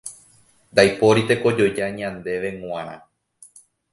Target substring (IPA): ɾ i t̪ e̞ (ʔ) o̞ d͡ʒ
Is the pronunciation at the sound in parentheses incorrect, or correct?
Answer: incorrect: k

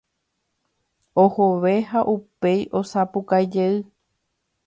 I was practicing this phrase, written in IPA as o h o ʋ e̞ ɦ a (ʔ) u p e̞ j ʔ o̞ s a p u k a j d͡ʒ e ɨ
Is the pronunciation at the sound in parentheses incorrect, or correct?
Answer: correct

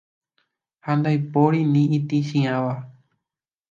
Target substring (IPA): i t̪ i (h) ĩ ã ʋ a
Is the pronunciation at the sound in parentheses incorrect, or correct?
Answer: incorrect: ʃ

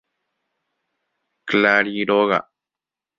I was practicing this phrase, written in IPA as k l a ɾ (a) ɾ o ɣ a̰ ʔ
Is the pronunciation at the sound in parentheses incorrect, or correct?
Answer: incorrect: i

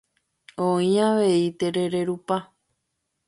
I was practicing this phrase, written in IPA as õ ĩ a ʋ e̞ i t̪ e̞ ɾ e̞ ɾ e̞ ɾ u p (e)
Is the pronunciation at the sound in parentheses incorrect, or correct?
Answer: incorrect: a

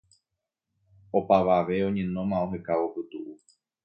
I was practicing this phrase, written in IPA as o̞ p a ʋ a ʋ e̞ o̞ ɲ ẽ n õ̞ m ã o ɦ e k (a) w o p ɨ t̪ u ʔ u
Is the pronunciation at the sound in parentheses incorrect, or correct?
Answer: correct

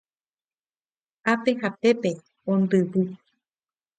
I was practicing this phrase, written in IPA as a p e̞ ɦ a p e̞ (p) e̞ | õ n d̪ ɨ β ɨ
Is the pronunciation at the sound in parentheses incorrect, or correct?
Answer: correct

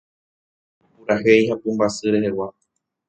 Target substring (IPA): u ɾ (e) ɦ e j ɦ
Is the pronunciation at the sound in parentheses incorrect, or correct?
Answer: incorrect: a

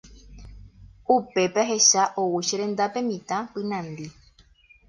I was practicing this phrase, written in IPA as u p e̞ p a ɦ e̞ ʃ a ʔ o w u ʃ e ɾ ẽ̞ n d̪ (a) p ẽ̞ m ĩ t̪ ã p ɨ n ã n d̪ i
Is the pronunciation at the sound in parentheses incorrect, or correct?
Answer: correct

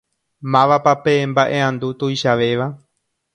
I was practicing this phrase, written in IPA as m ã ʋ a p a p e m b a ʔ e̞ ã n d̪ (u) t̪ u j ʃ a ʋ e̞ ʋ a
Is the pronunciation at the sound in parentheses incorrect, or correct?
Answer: correct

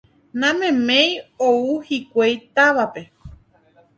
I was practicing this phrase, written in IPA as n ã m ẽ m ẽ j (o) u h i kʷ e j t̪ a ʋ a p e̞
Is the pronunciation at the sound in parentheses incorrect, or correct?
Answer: correct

